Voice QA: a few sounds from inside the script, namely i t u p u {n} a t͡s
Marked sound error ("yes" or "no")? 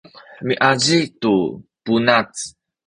no